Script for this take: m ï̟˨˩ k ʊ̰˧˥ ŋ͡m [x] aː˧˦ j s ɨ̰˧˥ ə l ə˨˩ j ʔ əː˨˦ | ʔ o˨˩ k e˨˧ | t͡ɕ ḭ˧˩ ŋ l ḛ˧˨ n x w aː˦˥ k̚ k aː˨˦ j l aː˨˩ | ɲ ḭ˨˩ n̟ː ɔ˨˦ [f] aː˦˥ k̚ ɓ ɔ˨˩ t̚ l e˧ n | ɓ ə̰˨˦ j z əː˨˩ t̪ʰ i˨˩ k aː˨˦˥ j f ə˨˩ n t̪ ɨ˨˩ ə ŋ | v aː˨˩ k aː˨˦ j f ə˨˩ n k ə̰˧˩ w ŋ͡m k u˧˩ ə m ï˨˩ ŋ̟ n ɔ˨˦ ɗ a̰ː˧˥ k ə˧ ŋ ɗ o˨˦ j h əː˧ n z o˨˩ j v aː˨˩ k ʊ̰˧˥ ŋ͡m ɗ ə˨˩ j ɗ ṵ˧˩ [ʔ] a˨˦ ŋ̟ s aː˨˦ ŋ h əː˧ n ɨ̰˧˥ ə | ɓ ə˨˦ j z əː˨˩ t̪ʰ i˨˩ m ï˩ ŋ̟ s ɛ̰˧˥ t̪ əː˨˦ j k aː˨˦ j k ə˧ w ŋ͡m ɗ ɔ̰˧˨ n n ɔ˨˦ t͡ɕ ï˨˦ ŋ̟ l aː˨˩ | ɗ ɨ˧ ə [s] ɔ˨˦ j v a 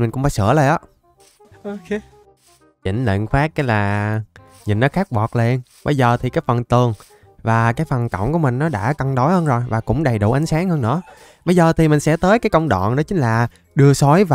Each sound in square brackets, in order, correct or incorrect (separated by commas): incorrect, incorrect, correct, correct